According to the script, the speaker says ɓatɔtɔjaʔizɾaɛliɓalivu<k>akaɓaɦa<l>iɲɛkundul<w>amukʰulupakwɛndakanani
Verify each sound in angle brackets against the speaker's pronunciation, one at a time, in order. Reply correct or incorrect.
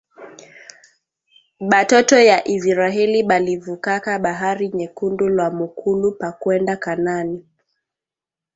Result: correct, incorrect: ɾ, correct

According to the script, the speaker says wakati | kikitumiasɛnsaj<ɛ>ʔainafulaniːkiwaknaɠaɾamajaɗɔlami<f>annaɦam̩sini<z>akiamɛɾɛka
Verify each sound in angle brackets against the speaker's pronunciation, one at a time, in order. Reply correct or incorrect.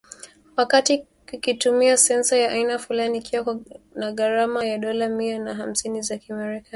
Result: incorrect: a, incorrect: none, correct

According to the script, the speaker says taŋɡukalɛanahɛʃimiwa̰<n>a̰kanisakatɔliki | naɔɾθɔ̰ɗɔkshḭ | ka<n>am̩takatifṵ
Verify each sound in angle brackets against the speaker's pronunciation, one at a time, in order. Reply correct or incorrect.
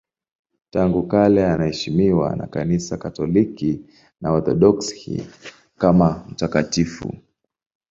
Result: correct, incorrect: m

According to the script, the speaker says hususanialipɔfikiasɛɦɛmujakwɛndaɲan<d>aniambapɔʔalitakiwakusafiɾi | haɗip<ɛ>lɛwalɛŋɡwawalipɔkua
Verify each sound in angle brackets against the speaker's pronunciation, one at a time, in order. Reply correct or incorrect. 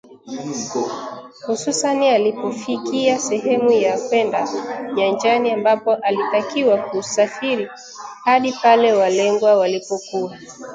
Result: incorrect: d͡ʒ, incorrect: a

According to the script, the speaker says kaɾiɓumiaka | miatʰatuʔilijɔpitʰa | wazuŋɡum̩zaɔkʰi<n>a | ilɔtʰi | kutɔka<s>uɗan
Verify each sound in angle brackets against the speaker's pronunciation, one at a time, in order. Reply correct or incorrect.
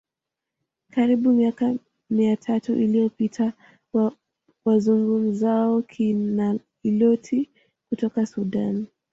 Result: correct, correct

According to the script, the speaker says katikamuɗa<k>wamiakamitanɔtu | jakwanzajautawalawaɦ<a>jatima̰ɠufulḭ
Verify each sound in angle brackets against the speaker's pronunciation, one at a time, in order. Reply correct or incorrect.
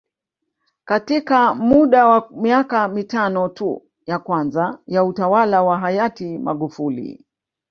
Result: incorrect: none, correct

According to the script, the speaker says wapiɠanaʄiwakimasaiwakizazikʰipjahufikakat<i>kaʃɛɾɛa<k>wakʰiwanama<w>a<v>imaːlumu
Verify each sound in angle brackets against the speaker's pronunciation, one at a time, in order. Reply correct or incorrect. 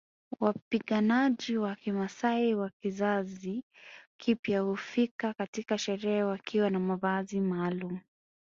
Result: correct, incorrect: none, incorrect: v, incorrect: z

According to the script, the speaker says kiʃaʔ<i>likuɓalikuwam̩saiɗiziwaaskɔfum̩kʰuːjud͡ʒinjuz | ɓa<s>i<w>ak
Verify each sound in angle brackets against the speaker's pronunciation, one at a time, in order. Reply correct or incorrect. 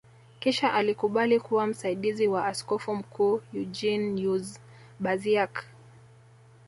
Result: incorrect: a, incorrect: z, incorrect: none

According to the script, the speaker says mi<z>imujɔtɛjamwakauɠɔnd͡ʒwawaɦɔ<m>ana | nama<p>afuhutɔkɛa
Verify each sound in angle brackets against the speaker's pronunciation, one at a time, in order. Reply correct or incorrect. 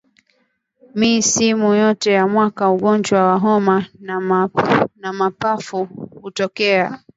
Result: incorrect: s, correct, correct

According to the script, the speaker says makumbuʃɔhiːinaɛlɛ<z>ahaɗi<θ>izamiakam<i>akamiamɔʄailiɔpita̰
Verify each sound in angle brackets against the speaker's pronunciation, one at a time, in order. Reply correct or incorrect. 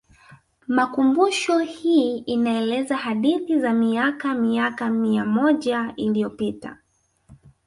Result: correct, correct, correct

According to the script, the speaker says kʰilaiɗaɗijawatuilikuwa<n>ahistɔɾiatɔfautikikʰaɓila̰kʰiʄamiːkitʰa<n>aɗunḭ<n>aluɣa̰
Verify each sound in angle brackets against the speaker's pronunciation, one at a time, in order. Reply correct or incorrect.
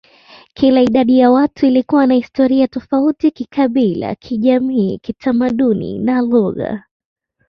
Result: correct, incorrect: m, correct

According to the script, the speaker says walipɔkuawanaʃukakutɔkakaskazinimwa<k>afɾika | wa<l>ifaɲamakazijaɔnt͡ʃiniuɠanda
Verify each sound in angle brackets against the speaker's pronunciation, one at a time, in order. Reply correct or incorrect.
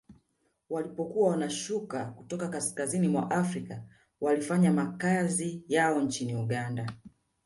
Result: incorrect: ʔ, correct

